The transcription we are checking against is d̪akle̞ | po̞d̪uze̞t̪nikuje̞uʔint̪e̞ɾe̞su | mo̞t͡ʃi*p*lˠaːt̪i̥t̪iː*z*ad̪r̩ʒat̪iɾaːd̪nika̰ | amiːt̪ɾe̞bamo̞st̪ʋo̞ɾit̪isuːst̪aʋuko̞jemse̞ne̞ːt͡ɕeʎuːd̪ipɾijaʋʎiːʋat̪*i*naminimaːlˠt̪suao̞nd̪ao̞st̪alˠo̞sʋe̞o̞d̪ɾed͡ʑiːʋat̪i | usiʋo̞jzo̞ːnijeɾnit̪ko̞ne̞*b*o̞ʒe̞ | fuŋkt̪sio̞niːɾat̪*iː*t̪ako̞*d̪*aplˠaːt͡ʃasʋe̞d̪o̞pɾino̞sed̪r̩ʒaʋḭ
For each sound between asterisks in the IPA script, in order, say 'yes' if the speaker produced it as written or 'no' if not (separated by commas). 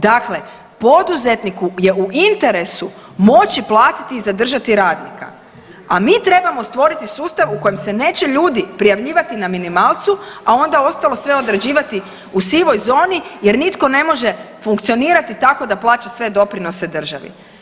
yes, yes, yes, no, no, yes